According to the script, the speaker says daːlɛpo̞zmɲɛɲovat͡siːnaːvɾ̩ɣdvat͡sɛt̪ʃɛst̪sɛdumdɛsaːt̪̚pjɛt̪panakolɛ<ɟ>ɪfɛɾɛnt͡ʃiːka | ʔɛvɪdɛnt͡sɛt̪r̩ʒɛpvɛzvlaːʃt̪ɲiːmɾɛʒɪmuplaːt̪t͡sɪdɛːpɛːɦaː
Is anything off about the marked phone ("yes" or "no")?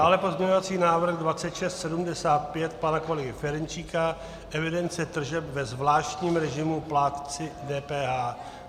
yes